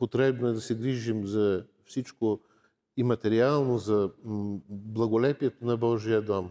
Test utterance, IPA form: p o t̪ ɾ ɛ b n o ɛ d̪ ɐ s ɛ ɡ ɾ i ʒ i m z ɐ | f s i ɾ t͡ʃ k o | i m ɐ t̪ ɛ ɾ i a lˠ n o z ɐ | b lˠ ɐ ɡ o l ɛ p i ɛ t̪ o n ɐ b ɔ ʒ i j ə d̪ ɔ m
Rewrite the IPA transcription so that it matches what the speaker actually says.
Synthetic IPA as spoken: p o t̪ ɾ ɛ b n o ɛ d̪ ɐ s ɛ ɡ ɾ i ʒ i m z ɐ | f s i t͡ʃ k o | i m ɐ t̪ ɛ ɾ i a lˠ n o z ɐ | b lˠ ɐ ɡ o l ɛ p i ɛ t̪ o n ɐ b ɔ ʒ i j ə d̪ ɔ m